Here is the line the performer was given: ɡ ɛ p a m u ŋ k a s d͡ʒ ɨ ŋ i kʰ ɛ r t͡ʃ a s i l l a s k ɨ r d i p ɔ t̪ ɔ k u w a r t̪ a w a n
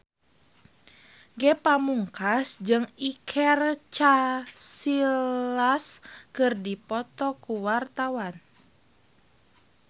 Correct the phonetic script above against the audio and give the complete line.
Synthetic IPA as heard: ɡ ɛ p a m u ŋ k a s d͡ʒ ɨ ŋ i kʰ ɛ r t͡ʃ a s i l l a s k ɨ r d i p ɔ t̪ ɔ k u w a r t̪ a w a n